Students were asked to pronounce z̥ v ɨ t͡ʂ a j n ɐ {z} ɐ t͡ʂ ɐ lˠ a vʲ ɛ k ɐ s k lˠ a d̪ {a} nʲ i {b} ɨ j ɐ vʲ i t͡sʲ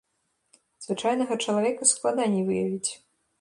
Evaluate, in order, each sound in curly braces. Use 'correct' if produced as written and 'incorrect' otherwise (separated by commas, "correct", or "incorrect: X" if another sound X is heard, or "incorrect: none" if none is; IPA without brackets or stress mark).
incorrect: ɣ, correct, incorrect: v